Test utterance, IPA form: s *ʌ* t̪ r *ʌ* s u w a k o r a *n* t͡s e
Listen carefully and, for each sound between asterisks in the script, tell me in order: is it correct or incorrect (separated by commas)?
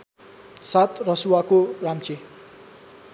incorrect, correct, incorrect